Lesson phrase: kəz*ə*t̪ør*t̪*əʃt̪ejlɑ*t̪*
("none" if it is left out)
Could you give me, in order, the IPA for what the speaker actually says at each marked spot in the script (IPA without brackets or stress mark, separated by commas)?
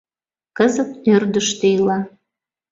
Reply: ə, d̪, none